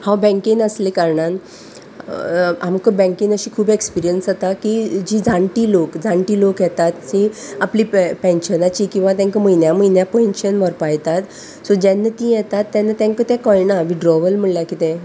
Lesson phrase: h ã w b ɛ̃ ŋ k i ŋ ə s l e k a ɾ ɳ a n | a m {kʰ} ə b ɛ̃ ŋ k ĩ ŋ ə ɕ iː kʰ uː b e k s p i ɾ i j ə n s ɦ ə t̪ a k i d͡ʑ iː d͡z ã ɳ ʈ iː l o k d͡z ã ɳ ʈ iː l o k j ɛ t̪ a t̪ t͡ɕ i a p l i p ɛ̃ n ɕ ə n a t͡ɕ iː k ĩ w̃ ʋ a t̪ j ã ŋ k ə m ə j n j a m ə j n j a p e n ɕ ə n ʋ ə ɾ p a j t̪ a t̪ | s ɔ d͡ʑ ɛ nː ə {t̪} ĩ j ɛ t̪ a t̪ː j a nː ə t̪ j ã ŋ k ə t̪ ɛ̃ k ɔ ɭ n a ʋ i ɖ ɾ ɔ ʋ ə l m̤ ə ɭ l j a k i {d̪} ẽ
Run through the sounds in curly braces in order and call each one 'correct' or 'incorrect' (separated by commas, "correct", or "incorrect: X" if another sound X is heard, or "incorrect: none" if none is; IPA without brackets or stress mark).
incorrect: k, correct, incorrect: t̪